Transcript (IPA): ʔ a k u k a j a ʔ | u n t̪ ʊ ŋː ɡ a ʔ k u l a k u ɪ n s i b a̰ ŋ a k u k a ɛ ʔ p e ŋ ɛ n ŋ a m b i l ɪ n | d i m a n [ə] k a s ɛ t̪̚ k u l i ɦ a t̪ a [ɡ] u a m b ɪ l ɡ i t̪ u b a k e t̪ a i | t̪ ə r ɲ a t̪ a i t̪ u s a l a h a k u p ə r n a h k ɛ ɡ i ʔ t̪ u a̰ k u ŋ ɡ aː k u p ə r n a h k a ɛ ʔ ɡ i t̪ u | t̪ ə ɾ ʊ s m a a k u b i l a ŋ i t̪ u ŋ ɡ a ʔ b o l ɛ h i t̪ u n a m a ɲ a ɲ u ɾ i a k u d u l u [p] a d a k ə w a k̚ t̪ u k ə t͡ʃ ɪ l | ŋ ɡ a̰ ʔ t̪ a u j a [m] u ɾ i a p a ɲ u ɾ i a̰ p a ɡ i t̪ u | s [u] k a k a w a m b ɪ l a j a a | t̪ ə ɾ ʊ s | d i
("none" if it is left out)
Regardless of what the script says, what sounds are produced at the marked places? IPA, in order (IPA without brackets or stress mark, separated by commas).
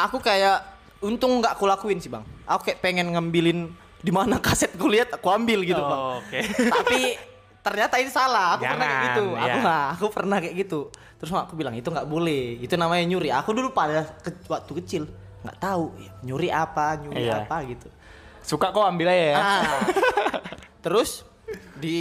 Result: a, k, p, ɲ, u